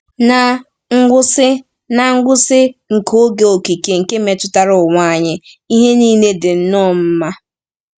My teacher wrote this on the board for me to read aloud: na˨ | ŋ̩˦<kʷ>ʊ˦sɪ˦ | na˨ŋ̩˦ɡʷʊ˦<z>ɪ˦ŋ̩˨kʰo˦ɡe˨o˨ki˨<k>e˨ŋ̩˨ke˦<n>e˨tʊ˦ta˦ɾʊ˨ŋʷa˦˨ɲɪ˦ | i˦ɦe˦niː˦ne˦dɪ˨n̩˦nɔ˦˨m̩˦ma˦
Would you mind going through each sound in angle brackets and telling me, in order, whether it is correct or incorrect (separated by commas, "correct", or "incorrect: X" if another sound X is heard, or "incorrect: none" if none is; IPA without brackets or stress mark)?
incorrect: ɡʷ, incorrect: s, correct, incorrect: m